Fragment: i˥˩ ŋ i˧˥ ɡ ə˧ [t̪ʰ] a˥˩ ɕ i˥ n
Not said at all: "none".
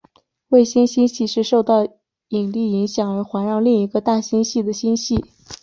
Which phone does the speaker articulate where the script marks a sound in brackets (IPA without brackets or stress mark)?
t̪